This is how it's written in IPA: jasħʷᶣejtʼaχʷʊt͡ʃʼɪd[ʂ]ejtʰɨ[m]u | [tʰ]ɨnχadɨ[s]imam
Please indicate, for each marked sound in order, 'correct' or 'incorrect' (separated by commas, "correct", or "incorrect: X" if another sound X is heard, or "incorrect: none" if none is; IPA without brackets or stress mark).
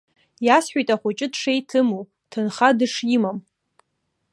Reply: correct, correct, correct, incorrect: ʂ